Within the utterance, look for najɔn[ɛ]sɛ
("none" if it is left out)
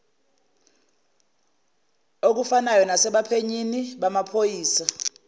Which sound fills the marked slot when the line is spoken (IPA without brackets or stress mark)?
a